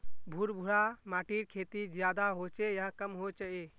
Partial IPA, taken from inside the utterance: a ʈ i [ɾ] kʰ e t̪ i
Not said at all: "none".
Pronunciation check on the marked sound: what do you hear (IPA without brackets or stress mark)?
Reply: ɾ